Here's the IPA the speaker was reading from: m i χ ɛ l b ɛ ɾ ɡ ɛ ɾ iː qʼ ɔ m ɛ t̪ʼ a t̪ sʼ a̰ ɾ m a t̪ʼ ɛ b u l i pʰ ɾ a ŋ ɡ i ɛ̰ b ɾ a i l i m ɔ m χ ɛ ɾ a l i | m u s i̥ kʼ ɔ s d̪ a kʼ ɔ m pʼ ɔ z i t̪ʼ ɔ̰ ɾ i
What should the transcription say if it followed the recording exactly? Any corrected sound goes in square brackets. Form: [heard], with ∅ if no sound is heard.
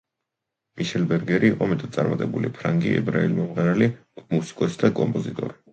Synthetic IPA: m i [ʃ] ɛ l b ɛ ɾ ɡ ɛ ɾ iː qʼ ɔ m ɛ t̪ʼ a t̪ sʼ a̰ ɾ m a t̪ʼ ɛ b u l i pʰ ɾ a ŋ ɡ i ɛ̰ b ɾ a i l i m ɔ m [ʁ] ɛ ɾ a l i | m u s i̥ kʼ ɔ s d̪ a kʼ ɔ m pʼ ɔ z i t̪ʼ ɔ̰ ɾ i